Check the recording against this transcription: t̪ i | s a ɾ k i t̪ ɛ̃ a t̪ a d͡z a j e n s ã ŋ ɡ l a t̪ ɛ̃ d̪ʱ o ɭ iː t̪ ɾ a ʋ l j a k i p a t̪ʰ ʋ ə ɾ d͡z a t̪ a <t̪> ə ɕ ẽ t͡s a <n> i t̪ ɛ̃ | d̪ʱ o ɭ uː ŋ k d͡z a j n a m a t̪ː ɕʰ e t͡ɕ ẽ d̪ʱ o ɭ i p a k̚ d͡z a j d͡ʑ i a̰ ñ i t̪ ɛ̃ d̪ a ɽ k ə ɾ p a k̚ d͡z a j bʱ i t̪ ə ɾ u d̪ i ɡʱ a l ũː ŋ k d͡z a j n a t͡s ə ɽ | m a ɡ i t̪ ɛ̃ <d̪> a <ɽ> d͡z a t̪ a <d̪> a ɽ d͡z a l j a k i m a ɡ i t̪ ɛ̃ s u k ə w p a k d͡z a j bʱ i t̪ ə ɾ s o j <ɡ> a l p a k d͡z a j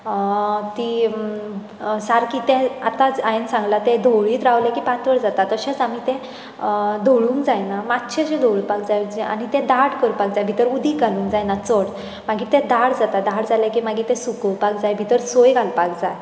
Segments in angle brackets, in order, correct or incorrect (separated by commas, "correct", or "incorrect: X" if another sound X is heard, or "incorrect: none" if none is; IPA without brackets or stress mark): correct, incorrect: m, correct, correct, correct, correct